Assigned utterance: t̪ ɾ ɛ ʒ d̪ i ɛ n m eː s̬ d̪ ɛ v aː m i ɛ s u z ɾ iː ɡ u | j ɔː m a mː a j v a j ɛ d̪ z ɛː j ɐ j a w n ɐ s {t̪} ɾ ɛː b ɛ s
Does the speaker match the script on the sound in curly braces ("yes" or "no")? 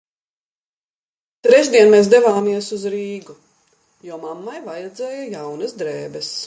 no